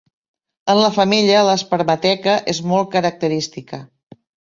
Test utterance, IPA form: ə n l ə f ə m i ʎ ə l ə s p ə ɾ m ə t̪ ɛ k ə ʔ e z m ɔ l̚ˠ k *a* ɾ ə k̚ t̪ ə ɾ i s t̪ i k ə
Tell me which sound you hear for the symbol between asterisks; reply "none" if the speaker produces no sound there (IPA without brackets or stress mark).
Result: ə